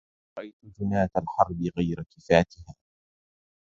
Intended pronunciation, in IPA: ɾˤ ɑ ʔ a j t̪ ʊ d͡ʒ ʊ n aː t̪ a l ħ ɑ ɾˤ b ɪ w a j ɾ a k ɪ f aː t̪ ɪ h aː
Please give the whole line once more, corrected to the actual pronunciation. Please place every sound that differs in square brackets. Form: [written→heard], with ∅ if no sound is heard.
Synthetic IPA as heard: ɾˤ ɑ ʔ a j t̪ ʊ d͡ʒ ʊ n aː t̪ a l ħ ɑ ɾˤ b ɪ [w→ɣ] a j ɾ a k ɪ f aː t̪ ɪ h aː